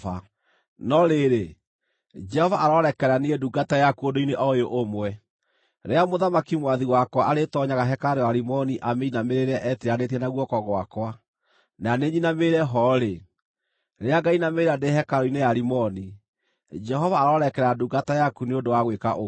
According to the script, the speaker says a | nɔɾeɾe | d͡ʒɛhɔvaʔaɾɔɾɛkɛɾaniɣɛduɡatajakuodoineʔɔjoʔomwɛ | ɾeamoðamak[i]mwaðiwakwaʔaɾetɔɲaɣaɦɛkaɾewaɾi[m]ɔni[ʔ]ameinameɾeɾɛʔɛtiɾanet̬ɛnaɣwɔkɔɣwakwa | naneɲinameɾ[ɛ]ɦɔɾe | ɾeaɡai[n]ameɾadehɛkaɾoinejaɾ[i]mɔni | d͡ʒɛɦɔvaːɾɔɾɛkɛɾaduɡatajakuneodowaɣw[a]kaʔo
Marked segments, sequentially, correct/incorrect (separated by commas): correct, correct, correct, correct, correct, correct, incorrect